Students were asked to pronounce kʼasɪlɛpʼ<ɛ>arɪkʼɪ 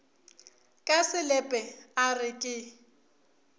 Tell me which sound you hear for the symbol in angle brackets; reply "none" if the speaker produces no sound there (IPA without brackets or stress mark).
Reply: ɛ